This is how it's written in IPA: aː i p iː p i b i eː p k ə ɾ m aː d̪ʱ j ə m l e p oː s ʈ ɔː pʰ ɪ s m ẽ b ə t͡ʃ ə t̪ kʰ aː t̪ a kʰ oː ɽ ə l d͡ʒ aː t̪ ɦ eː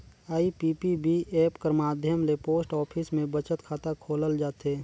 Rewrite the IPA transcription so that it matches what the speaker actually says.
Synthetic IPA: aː i p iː p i b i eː p k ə ɾ m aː d̪ʱ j ə m l e p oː s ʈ ɔː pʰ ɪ s m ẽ b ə t͡ʃ ə t̪ kʰ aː t̪ a kʰ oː l ə l d͡ʒ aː t̪ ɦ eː